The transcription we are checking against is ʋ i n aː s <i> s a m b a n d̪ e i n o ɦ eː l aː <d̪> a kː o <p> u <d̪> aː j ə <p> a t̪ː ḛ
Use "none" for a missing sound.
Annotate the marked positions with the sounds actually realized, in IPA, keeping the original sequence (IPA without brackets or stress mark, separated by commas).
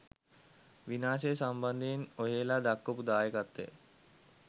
e, d̪, p, d̪, k